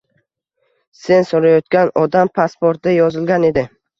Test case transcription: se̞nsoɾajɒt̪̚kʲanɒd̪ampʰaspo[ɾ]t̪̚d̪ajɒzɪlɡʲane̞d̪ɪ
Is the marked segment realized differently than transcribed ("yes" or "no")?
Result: no